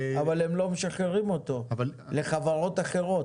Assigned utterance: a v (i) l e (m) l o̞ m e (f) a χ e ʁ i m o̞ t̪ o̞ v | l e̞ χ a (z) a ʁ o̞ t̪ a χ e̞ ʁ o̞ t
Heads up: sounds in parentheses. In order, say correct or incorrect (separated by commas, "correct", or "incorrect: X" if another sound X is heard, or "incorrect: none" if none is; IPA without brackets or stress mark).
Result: incorrect: a, correct, incorrect: ʃ, incorrect: v